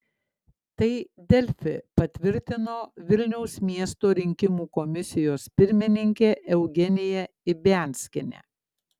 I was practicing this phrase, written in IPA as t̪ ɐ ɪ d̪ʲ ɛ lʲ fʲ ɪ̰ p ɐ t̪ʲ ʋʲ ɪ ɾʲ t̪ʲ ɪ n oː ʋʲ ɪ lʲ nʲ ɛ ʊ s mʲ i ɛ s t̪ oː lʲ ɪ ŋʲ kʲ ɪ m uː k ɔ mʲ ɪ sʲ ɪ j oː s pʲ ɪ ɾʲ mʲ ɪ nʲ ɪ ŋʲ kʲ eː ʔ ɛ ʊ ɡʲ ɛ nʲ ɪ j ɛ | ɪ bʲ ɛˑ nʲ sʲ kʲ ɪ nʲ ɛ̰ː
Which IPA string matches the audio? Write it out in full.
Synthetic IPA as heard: t̪ ɐ ɪ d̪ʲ ɛ lʲ fʲ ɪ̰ p ɐ t̪ʲ ʋʲ ɪ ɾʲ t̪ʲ ɪ n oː ʋʲ ɪ lʲ nʲ ɛ ʊ s mʲ i ɛ s t̪ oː ɾʲ ɪ ŋʲ kʲ ɪ m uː k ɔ mʲ ɪ sʲ ɪ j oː s pʲ ɪ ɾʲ mʲ ɪ nʲ ɪ ŋʲ kʲ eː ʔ ɛ ʊ ɡʲ ɛ nʲ ɪ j ɛ | ɪ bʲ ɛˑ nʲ sʲ kʲ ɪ nʲ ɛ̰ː